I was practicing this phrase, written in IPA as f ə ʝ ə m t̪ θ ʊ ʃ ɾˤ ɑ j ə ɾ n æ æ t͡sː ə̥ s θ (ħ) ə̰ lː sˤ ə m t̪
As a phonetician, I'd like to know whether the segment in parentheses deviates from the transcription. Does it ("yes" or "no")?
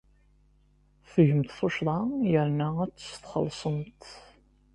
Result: yes